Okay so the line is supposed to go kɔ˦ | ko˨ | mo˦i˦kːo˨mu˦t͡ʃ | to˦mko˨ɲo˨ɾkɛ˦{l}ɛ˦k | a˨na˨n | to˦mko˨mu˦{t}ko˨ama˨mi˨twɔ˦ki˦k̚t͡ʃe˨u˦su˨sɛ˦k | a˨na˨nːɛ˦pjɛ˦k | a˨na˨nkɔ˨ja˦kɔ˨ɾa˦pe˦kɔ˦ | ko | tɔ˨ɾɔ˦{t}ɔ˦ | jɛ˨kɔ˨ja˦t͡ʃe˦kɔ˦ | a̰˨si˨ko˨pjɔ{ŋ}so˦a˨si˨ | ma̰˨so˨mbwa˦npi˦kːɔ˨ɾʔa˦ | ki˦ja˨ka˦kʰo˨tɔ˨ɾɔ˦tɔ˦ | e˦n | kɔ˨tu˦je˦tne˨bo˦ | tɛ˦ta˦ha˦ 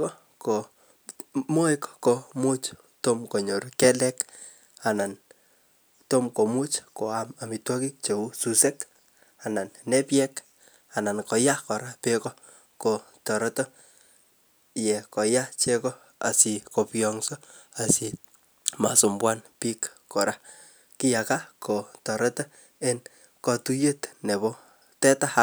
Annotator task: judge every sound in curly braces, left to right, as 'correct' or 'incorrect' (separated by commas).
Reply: correct, incorrect, correct, correct